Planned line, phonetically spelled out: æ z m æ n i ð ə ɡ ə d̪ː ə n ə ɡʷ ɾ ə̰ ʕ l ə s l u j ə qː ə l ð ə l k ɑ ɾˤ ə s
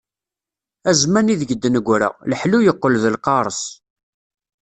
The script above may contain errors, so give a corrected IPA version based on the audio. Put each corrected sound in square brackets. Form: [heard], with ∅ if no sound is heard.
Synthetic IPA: æ z m æ n i ð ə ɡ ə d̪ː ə n ə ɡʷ ɾ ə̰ [ʁ] l ə [ħ] l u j ə qː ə l ð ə l [q] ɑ ɾˤ ə s